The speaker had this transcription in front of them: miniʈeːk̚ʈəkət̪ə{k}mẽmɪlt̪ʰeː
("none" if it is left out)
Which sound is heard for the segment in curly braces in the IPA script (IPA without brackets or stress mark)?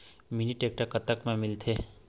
k